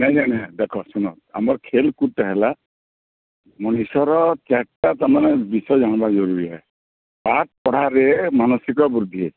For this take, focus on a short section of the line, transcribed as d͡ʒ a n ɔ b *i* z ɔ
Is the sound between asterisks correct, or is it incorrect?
incorrect